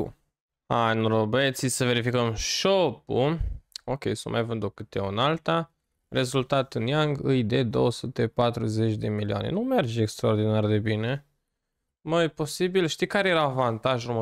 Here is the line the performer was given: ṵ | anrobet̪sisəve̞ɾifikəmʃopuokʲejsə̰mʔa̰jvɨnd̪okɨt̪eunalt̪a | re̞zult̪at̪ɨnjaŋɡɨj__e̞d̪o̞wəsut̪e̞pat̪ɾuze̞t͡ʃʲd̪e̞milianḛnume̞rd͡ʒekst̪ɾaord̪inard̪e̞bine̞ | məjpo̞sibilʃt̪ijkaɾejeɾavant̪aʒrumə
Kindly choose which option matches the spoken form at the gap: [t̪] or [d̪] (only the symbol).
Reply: d̪